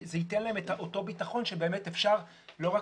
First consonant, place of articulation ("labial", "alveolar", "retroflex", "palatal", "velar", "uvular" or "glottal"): alveolar